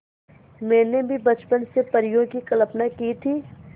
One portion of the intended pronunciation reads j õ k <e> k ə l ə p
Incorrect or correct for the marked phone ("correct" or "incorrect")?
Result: incorrect